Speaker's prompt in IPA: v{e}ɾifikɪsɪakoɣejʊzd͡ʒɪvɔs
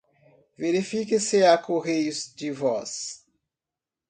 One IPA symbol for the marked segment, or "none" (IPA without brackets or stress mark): e